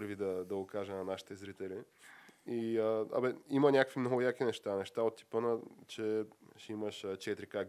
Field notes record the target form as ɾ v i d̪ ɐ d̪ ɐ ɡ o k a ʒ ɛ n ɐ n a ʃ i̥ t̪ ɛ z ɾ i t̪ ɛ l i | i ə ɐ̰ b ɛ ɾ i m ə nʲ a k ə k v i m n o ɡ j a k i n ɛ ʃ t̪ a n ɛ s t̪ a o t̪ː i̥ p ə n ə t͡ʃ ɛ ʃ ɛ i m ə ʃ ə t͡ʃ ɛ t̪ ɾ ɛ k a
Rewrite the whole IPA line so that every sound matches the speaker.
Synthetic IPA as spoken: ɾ v i d̪ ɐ d̪ ɐ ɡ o k a ʒ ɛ n ɐ n a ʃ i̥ t̪ ɛ z ɾ i t̪ ɛ l i | i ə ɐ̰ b ɛ i m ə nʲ a k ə k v i m n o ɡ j a k i n ɛ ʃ t̪ a n ɛ ʃ t̪ a o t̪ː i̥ p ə n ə t͡ʃ ɛ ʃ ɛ i m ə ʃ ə t͡ʃ ɛ t̪ ɾ i k a